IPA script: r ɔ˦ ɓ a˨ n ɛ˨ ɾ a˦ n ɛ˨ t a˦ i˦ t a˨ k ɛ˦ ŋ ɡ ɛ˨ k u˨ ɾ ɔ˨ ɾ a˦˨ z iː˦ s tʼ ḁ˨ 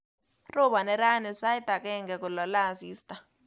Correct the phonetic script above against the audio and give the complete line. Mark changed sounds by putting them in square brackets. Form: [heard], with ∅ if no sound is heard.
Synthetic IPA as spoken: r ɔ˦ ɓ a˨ n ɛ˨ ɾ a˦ n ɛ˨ [s] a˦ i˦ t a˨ k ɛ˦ ŋ ɡ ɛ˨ k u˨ [l] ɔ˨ [l] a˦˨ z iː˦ s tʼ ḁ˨